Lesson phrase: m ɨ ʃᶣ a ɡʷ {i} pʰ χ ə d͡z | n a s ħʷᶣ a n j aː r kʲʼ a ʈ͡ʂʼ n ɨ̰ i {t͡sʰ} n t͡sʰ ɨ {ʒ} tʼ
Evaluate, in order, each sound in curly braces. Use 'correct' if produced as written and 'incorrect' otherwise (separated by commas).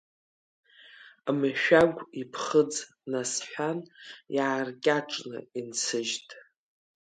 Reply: correct, incorrect, correct